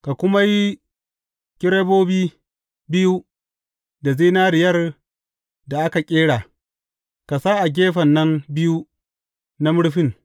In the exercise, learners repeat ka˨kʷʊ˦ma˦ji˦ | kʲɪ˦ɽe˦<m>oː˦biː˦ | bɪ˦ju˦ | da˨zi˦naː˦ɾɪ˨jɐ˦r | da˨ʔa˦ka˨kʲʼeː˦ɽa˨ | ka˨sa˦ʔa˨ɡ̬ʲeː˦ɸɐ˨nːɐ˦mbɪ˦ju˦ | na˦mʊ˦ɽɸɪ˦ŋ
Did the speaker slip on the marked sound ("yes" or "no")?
yes